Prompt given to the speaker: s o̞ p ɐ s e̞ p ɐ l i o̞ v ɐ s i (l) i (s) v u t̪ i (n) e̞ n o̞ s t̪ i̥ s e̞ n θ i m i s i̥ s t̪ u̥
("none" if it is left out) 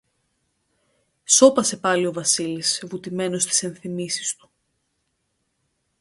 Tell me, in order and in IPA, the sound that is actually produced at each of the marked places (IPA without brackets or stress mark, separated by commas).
l, s, m